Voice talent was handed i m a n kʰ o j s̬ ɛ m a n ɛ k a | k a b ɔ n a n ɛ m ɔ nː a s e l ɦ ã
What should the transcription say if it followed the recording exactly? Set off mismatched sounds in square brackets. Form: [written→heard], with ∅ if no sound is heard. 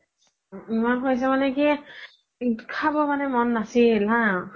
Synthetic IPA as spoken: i m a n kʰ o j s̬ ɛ m a n ɛ k [a→i] | [k→kʰ] a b ɔ [n→m] a n ɛ m ɔ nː a s [e→i] l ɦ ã